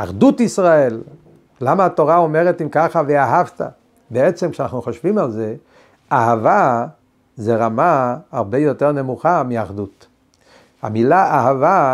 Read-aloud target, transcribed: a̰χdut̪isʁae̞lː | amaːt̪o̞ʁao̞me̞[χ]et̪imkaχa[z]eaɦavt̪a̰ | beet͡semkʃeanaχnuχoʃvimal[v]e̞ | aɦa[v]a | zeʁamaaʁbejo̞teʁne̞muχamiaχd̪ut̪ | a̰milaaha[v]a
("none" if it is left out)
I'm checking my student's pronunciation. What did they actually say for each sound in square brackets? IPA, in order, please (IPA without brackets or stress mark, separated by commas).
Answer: ʁ, v, z, v, v